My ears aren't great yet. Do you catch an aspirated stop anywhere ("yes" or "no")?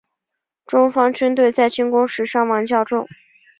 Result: no